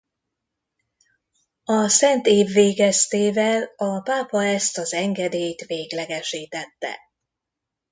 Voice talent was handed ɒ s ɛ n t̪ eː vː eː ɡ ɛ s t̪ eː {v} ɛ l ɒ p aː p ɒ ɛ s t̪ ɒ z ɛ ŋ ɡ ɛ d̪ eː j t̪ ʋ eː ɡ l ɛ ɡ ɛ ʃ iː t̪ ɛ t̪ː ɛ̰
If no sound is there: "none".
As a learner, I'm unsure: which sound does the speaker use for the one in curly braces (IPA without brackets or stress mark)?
v